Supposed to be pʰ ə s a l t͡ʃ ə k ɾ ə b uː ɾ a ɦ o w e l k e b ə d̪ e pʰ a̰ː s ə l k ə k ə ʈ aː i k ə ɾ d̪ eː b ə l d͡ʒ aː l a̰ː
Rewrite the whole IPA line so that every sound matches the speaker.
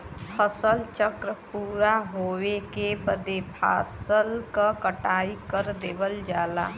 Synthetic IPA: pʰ ə s ə l t͡ʃ ə k ɾ ə p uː ɾ a ɦ o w e k e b ə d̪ e pʰ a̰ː s ə l k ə k ə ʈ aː i k ə ɾ d̪ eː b ə l d͡ʒ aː l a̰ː